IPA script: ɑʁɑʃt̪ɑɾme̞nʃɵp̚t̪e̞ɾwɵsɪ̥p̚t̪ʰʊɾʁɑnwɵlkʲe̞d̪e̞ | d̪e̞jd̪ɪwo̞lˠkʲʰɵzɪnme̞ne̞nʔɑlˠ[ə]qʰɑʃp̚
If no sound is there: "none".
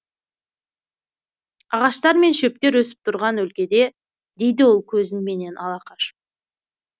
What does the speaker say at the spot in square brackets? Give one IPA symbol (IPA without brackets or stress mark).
ɑ